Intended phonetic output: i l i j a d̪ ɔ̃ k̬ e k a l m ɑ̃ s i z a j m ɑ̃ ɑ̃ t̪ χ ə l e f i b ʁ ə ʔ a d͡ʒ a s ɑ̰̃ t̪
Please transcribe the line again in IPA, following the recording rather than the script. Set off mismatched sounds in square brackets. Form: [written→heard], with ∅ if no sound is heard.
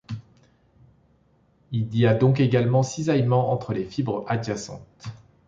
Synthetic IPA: i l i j a d̪ ɔ̃ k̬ e [k→ɡ] a l m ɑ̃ s i z a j m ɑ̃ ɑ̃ t̪ χ ə l e f i b ʁ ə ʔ a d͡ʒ a s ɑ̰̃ t̪